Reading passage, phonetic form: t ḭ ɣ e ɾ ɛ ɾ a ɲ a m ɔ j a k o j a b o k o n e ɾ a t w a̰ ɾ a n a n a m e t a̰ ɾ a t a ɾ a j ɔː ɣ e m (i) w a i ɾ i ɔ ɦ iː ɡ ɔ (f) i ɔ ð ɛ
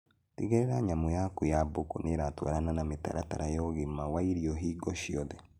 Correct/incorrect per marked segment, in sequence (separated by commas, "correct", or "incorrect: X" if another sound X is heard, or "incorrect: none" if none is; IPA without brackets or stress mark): incorrect: a, incorrect: ʃ